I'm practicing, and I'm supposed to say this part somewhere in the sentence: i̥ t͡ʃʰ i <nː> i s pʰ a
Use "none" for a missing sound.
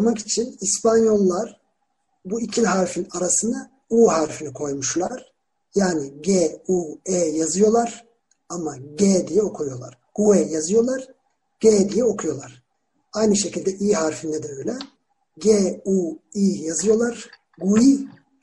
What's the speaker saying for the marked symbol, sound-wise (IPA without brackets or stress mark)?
n